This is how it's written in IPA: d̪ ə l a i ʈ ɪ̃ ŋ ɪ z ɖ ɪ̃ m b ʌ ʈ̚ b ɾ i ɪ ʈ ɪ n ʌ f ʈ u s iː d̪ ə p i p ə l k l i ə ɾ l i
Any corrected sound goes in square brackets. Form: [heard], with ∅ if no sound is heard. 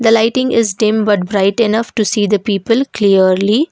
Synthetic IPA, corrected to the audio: d̪ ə l a [ɪ] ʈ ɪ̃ ŋ ɪ z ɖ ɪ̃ m b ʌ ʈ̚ b ɾ [a] ɪ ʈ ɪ n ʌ f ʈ u s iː d̪ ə p [iː] p ə l k l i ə ɾ l i